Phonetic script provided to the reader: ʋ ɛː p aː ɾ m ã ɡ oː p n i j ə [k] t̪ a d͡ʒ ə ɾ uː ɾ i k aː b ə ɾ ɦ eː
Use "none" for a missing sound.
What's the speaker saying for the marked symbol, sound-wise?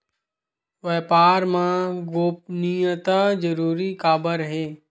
none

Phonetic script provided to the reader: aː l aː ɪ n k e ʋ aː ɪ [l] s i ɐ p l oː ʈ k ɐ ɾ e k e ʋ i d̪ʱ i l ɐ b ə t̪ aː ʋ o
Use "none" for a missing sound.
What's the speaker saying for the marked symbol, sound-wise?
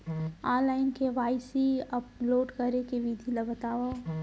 none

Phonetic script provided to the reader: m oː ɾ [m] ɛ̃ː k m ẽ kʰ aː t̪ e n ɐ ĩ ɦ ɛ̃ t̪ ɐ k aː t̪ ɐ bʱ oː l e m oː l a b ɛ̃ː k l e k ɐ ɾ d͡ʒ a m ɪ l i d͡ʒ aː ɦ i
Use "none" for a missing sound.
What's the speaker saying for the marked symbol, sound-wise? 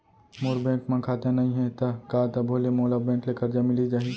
b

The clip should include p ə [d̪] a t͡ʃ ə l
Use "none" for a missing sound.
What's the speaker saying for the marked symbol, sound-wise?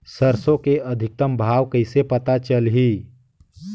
t̪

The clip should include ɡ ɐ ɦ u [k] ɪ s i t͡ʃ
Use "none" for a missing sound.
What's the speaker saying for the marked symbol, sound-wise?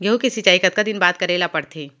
k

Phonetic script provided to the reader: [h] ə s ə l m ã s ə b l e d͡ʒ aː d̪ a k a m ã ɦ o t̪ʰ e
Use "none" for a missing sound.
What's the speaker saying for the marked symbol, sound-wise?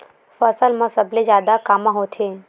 f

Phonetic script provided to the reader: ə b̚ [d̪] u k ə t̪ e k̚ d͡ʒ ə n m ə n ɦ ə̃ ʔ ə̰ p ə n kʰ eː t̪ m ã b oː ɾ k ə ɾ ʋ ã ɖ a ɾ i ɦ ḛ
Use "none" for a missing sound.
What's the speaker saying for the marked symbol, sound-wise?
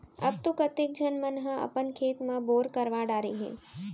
t̪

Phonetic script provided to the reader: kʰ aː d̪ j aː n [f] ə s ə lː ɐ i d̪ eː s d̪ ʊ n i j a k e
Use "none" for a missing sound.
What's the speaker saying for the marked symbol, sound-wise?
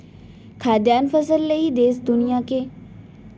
f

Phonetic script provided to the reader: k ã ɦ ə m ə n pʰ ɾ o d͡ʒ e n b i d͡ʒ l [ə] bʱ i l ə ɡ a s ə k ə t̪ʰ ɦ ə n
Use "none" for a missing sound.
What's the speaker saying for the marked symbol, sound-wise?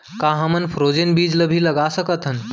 ə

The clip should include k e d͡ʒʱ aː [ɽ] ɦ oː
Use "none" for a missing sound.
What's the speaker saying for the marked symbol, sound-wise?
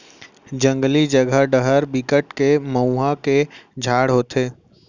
ɽ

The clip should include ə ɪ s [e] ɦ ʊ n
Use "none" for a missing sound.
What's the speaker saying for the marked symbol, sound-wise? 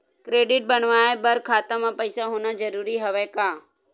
a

